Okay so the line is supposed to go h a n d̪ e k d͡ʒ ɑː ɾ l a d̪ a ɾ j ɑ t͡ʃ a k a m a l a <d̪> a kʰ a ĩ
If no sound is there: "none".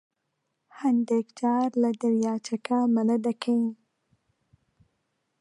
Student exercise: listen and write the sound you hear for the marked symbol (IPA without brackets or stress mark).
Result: d̪